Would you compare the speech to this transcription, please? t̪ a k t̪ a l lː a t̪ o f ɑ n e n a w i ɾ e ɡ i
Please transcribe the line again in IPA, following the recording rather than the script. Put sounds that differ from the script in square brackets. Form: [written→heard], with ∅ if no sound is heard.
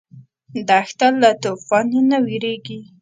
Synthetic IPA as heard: [t̪→d̪] a [k→x] t̪ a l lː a t̪ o f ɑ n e n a w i ɾ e ɡ i